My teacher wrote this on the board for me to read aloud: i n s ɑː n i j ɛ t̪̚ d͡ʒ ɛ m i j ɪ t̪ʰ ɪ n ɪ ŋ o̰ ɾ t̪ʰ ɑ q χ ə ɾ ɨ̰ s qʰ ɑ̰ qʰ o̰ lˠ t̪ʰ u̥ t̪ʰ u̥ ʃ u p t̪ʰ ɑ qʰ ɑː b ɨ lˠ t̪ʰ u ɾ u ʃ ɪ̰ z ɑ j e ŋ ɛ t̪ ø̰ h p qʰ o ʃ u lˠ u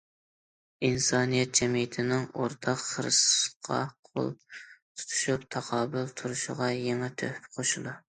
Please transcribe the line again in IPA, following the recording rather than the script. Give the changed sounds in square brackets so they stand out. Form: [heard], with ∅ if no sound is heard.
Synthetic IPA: i n s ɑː n i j ɛ t̪̚ d͡ʒ ɛ m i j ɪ t̪ʰ ɪ n ɪ ŋ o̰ ɾ t̪ʰ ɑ q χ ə ɾ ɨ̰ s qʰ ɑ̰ qʰ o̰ lˠ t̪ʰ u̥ t̪ʰ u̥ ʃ u p t̪ʰ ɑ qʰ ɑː b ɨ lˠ t̪ʰ u ɾ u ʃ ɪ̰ [ʁ] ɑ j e ŋ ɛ [t̪ʰ] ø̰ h p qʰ o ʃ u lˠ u